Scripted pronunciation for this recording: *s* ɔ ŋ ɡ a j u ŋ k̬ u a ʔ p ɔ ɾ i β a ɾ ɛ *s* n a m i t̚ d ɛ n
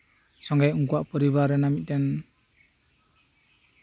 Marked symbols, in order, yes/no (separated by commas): yes, no